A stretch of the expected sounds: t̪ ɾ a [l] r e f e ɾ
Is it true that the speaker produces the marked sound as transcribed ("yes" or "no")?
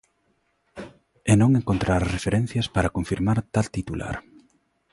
no